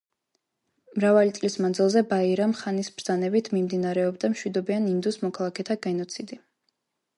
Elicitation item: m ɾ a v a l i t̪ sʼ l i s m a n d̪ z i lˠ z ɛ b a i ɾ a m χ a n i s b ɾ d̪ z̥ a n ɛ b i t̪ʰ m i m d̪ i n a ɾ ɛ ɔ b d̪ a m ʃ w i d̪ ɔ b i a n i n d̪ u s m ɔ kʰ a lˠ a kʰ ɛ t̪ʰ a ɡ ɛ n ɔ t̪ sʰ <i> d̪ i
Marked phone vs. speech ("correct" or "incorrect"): correct